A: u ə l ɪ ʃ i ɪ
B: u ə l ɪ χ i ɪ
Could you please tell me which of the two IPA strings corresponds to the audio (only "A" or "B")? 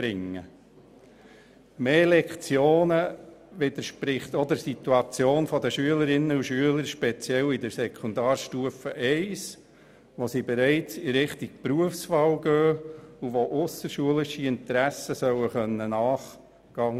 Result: A